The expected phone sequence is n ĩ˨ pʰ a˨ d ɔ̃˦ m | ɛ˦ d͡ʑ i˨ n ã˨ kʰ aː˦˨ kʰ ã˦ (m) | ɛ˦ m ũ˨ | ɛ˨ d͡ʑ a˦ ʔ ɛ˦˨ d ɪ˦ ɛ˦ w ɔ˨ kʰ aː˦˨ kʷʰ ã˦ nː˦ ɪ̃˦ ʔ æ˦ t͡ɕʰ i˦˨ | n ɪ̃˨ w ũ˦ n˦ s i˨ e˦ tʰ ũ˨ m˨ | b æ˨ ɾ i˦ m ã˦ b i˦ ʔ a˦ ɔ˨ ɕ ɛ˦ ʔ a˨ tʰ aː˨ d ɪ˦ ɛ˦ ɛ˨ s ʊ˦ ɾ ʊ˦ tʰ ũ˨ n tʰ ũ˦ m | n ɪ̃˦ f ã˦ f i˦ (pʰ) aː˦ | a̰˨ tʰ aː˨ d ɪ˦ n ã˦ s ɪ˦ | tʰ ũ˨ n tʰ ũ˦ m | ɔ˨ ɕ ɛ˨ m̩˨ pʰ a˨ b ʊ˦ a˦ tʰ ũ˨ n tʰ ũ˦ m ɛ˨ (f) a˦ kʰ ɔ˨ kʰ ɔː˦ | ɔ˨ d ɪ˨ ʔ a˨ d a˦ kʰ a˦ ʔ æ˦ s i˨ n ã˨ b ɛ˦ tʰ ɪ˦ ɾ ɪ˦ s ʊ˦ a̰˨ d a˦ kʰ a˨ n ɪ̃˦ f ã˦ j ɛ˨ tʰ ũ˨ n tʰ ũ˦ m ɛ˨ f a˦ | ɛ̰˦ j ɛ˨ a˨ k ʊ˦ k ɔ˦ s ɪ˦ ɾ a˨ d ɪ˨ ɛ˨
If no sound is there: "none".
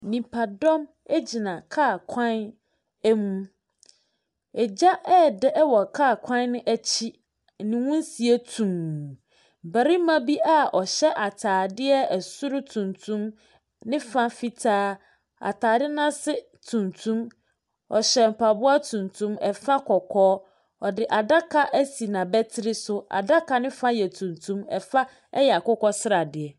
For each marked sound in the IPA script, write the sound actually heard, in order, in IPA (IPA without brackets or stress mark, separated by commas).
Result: n, tʰ, f